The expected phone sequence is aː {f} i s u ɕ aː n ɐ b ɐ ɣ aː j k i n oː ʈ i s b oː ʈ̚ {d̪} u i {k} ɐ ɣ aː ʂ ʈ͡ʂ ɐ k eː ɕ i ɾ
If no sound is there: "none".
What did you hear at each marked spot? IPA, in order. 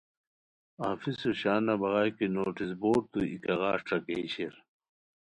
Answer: f, t̪, k

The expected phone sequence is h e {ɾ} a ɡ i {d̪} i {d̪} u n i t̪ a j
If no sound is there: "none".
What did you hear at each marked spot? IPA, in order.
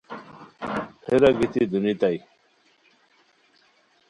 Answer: ɾ, t̪, d̪

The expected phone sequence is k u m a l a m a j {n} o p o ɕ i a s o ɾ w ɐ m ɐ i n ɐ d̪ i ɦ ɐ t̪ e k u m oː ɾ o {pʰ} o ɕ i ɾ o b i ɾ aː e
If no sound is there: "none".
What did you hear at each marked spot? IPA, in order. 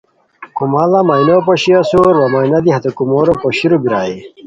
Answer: n, p

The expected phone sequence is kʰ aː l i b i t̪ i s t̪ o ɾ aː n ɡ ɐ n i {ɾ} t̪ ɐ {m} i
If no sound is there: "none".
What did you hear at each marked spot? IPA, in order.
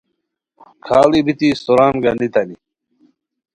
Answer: none, n

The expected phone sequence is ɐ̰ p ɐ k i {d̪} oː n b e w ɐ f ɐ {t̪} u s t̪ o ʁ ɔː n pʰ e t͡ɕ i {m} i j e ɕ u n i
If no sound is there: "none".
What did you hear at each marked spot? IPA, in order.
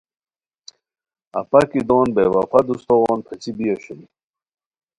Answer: d̪, d̪, b

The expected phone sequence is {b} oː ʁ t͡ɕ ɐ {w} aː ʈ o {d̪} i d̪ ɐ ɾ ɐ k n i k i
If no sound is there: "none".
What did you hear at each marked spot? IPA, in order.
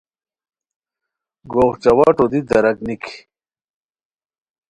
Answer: ɡ, w, d̪

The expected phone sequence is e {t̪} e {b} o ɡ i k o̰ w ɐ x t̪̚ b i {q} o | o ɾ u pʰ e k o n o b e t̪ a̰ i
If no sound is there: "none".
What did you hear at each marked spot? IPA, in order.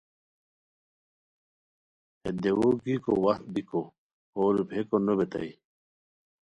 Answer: d̪, w, k

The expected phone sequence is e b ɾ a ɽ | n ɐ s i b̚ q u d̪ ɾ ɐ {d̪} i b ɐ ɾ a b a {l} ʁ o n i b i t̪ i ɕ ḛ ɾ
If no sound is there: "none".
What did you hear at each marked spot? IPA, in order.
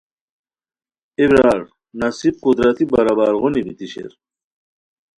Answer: t̪, ɾ

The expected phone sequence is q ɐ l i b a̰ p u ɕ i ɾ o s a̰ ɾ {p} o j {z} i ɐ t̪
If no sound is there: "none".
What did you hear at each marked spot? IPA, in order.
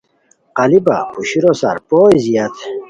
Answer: p, z

